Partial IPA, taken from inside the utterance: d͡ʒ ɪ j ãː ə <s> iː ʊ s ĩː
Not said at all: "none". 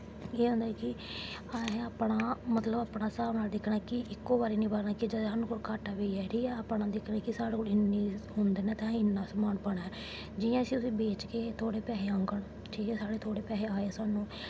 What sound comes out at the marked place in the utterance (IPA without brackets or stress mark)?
s